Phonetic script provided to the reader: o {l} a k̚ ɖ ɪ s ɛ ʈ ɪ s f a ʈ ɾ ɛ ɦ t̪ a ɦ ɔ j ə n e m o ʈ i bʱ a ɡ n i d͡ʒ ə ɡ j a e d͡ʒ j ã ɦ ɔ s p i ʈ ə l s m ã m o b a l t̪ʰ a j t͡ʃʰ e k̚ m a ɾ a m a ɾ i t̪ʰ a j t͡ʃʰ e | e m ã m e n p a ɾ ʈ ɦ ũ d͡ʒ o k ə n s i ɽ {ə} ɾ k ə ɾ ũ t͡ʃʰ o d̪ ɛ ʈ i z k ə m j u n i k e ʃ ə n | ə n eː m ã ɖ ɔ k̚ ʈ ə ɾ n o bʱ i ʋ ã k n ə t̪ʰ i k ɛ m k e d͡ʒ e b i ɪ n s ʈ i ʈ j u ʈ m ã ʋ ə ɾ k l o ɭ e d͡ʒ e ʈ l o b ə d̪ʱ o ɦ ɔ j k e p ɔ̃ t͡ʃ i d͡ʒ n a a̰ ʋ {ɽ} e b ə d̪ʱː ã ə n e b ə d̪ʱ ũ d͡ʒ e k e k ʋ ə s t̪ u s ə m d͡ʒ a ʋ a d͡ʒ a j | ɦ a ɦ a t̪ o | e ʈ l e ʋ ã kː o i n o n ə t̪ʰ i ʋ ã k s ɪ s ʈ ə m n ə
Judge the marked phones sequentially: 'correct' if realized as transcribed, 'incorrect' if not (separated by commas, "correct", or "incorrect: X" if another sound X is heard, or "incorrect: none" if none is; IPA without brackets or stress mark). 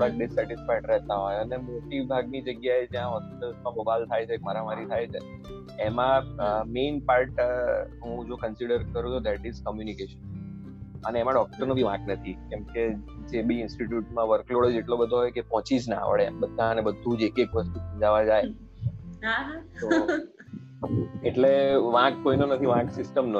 incorrect: ɽ, correct, incorrect: ɭ